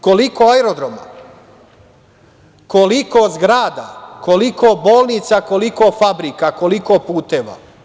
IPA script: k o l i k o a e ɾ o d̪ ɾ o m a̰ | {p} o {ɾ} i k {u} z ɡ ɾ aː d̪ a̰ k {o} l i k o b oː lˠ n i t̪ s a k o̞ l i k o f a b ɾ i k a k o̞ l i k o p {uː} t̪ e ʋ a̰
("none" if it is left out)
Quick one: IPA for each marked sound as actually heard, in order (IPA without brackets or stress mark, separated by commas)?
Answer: k, l, o, o, uː